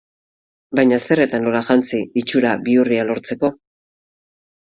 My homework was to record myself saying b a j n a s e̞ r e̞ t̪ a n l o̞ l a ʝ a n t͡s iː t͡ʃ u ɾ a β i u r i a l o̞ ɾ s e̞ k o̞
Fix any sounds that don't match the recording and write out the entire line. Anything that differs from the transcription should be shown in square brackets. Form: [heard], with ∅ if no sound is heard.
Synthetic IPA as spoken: b a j [ɲ] a s e̞ r e̞ t̪ a n l o̞ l a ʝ a n t͡s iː t͡ʃ u ɾ a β i u r i a l o̞ ɾ [t͡s] e̞ k o̞